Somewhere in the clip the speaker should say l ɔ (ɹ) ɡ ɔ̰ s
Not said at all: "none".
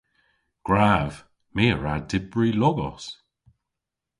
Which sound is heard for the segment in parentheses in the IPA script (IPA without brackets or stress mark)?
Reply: none